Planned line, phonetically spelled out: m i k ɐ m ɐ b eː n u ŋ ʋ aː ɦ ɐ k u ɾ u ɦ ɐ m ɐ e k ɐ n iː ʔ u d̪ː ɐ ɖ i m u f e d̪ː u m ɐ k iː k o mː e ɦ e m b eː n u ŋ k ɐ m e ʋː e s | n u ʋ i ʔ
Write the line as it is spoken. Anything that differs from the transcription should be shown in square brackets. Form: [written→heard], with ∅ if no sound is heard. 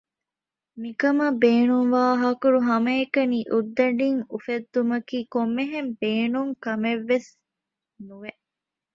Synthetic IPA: m i k ɐ m ɐ b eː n u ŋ ʋ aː ɦ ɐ k u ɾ u ɦ ɐ m ɐ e k ɐ n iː ʔ u d̪ː ɐ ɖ i [m→ŋ] u f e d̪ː u m ɐ k iː k o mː e ɦ e m b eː n u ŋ k ɐ m e ʋː e s | n u ʋ [i→e] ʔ